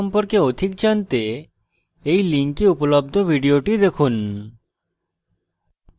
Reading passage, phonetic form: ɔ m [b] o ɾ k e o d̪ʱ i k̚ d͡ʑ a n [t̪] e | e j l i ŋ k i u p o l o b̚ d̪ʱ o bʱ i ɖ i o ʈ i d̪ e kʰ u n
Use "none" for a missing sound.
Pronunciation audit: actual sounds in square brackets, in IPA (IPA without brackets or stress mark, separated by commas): p, t̪